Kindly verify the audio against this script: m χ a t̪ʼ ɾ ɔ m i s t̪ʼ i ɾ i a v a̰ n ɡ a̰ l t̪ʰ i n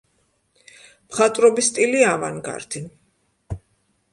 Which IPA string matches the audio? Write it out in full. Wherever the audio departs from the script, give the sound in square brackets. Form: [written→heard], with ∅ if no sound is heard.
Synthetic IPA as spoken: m χ a t̪ʼ ɾ ɔ [m→b] i s t̪ʼ i [ɾ→l] i a v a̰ n ɡ a̰ [l→ɾ] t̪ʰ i n